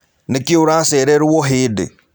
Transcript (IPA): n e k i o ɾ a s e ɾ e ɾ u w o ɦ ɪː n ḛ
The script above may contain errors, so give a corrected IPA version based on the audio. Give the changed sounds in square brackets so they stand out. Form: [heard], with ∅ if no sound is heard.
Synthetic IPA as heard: n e k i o ɾ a s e ɾ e ɾ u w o ɦ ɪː [d] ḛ